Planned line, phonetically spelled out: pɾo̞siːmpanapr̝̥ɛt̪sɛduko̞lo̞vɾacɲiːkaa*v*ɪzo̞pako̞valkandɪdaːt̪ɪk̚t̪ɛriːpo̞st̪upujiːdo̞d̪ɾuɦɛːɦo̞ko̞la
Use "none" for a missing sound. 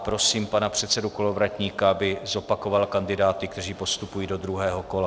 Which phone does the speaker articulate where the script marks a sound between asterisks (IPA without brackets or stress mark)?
b